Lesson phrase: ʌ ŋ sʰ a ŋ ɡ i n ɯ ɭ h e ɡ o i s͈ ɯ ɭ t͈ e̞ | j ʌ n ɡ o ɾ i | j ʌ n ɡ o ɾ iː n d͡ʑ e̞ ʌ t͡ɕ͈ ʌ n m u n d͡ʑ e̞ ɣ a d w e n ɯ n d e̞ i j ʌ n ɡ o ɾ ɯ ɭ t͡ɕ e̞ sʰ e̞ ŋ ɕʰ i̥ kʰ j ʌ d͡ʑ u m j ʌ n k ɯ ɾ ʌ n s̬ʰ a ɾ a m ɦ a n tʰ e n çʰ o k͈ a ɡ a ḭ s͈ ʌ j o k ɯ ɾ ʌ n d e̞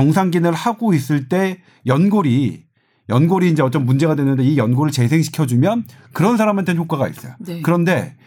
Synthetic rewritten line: ʌ ŋ sʰ a ŋ ɡ i n ɯ ɭ h a ɡ o i s͈ ɯ ɭ t͈ e̞ | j ʌ n ɡ o ɾ i | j ʌ n ɡ o ɾ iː n d͡ʑ e̞ ʌ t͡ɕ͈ ʌ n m u n d͡ʑ e̞ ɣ a d w e n ɯ n d e̞ i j ʌ n ɡ o ɾ ɯ ɭ t͡ɕ e̞ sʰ e̞ ŋ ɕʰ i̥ kʰ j ʌ d͡ʑ u m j ʌ n k ɯ ɾ ʌ n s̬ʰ a ɾ a m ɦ a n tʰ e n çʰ o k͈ a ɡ a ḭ s͈ ʌ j o k ɯ ɾ ʌ n d e̞